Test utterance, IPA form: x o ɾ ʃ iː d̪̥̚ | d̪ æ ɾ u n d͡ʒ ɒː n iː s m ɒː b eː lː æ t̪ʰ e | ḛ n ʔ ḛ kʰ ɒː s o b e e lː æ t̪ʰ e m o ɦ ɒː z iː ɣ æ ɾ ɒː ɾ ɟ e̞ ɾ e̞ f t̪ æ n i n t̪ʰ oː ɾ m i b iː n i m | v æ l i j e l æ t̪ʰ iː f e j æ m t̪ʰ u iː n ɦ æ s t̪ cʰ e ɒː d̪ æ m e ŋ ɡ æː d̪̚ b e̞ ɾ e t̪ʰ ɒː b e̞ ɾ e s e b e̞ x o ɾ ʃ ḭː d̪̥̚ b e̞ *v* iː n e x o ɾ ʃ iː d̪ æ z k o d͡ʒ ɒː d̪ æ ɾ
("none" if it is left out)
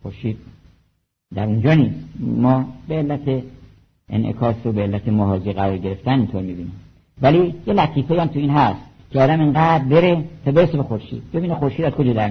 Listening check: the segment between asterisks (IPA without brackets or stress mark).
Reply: b